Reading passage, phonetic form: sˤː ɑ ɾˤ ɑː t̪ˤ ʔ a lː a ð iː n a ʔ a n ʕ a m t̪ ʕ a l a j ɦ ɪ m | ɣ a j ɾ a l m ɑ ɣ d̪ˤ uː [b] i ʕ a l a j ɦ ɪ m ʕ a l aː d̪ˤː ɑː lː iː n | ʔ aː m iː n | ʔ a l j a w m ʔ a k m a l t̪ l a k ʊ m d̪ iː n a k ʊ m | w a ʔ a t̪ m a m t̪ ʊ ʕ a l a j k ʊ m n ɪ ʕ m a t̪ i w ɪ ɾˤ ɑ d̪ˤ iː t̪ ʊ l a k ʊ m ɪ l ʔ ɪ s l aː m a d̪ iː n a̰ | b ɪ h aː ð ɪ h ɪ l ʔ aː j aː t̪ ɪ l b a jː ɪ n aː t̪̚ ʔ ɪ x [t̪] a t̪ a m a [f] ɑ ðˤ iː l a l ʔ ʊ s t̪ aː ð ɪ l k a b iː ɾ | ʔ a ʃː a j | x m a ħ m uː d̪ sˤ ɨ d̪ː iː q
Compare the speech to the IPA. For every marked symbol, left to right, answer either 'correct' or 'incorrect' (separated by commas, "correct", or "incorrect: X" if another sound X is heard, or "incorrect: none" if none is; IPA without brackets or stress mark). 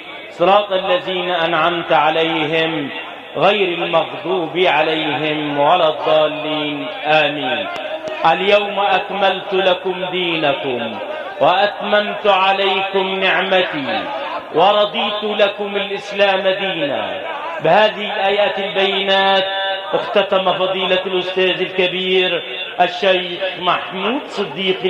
correct, correct, correct